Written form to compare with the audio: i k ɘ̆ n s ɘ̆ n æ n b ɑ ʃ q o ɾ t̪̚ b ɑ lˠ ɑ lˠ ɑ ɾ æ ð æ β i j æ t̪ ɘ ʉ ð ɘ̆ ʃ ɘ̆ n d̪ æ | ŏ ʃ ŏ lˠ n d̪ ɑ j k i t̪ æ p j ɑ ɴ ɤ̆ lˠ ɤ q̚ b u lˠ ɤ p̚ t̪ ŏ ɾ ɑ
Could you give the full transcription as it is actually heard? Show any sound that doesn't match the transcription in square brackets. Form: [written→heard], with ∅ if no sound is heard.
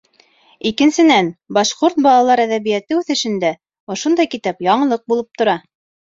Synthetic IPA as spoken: i k ɘ̆ n s ɘ̆ n æ n b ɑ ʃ q o ɾ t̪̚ b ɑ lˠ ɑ lˠ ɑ ɾ æ ð æ β i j æ t̪ ɘ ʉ [ð→θ] ɘ̆ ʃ ɘ̆ n d̪ æ | ŏ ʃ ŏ [lˠ→∅] n d̪ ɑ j k i t̪ æ p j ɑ ɴ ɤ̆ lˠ ɤ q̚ b u lˠ ɤ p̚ t̪ ŏ ɾ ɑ